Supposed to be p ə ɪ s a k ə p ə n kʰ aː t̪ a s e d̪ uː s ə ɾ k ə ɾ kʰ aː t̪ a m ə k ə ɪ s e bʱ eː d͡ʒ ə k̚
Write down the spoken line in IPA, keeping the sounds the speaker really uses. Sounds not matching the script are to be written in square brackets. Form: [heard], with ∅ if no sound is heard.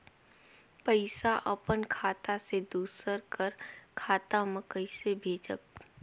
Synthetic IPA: p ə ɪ s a [ʔ] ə p ə n kʰ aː t̪ a s e d̪ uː s ə ɾ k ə ɾ kʰ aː t̪ a m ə k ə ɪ s e bʱ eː d͡ʒ ə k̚